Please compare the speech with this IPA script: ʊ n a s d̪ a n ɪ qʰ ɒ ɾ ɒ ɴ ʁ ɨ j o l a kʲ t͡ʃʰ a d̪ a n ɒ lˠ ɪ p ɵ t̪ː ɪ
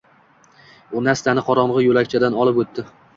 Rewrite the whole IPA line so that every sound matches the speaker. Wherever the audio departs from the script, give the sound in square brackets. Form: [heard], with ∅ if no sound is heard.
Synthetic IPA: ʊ n a s [t̪] a n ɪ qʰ ɒ ɾ ɒ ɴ ʁ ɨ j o l a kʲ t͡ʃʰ a d̪ a n ɒ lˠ ɪ p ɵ t̪ː ɪ